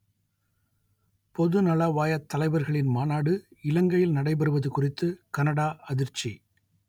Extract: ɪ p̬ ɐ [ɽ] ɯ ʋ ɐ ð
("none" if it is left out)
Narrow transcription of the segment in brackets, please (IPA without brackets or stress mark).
ɾ